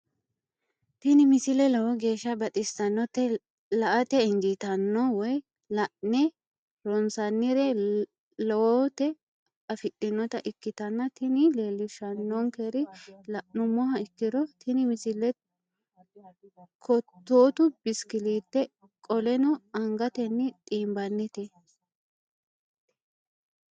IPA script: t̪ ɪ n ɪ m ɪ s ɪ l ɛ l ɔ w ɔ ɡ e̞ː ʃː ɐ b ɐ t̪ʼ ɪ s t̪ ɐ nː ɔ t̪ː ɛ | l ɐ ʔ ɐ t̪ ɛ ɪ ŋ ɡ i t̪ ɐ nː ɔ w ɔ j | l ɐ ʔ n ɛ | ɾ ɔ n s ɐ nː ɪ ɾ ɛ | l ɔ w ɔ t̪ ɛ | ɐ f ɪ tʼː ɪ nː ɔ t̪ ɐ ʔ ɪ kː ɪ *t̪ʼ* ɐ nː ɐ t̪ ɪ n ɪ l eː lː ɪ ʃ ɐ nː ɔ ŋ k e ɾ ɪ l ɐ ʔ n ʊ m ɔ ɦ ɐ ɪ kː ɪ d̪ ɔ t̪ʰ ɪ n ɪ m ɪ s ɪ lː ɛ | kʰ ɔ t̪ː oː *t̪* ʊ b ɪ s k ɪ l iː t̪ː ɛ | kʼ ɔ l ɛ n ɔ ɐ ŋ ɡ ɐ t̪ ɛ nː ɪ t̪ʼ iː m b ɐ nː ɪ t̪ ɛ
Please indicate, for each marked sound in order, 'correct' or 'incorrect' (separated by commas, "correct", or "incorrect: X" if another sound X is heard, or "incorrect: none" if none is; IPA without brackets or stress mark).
incorrect: t̪, correct